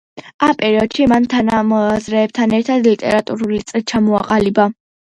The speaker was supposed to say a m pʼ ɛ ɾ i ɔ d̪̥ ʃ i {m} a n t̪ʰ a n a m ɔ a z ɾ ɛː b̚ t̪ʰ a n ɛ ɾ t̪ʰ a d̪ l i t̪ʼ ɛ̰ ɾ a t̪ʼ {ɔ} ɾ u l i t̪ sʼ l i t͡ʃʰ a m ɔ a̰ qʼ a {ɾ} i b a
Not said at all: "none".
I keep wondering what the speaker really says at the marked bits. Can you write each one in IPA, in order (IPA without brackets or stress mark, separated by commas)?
m, u, l